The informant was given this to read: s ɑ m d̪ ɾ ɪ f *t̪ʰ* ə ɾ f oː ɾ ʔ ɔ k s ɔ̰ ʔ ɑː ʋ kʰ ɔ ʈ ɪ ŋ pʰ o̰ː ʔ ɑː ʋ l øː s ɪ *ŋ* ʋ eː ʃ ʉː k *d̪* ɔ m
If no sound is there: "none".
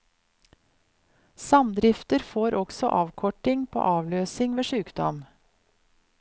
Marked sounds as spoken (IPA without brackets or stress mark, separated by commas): t̪, ŋ, d̪